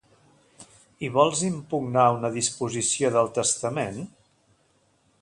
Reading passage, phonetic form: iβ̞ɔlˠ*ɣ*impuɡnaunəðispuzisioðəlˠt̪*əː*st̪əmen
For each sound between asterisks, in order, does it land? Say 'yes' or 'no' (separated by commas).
no, no